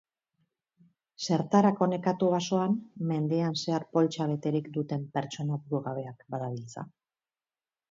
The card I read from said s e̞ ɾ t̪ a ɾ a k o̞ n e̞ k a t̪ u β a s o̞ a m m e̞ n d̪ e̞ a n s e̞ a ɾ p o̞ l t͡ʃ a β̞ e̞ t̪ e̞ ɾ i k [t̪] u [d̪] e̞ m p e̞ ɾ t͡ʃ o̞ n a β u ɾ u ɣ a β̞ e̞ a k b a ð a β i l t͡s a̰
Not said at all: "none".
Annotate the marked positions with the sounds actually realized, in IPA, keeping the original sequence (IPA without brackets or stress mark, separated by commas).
d̪, t̪